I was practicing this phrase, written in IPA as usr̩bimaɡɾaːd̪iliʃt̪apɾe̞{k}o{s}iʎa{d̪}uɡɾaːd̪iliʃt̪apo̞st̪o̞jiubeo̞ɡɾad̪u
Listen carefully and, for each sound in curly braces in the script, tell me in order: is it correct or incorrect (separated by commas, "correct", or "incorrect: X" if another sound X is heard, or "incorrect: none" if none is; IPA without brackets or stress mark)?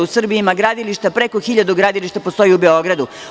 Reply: correct, incorrect: x, correct